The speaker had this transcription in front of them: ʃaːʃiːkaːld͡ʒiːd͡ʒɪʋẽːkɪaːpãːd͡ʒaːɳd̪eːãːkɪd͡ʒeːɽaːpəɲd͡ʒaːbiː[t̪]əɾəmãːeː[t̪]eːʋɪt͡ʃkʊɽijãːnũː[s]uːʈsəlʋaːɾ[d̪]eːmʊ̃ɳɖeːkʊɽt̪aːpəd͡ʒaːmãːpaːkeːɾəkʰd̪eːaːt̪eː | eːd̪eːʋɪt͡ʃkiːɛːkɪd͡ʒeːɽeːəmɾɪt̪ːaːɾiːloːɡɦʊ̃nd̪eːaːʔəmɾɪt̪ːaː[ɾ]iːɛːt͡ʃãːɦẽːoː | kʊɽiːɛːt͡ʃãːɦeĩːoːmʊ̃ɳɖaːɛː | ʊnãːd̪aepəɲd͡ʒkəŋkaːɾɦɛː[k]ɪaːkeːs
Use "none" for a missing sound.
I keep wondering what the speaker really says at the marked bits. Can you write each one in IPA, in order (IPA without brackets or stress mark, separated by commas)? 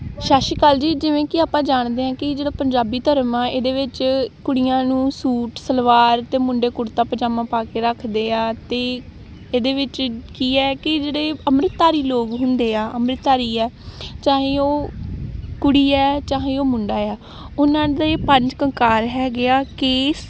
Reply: t̪, d̪, s, t̪, ɾ, ɡ